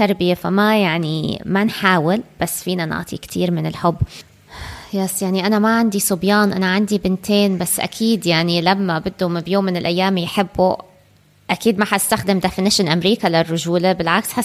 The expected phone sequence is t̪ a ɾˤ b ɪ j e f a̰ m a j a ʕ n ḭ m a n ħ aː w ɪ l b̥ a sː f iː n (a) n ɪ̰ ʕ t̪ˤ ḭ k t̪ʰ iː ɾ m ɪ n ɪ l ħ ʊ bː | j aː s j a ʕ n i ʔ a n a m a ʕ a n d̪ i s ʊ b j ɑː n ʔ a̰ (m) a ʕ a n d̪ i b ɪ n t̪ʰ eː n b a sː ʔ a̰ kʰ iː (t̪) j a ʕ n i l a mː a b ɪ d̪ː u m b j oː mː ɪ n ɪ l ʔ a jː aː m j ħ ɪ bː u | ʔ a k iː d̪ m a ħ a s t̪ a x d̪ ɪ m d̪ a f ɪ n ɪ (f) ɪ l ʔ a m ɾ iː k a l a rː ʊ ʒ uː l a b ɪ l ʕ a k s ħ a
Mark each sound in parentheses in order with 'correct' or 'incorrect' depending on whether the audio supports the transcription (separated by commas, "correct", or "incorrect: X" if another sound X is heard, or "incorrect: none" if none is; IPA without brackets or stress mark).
correct, incorrect: n, incorrect: d̪, incorrect: ʃ